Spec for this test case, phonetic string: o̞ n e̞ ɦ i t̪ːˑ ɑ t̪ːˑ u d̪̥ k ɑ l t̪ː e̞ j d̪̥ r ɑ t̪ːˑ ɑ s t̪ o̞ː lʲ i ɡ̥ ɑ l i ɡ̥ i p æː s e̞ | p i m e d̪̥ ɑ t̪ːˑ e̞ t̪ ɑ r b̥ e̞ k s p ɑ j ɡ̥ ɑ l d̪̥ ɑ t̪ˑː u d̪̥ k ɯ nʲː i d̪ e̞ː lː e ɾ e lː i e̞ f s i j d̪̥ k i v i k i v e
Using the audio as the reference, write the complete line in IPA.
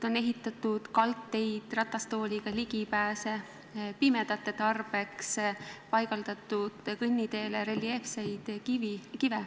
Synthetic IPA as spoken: o̞ n e̞ ɦ i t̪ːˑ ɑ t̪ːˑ u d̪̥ k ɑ l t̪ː e̞ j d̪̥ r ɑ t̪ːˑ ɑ s t̪ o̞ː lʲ i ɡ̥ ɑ l i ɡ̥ i p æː s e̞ | p i m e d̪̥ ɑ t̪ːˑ e̞ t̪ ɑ r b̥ e̞ k s p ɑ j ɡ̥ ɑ l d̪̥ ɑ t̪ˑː u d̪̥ k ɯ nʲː i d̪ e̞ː l e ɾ e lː i e̞ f s e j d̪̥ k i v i k i v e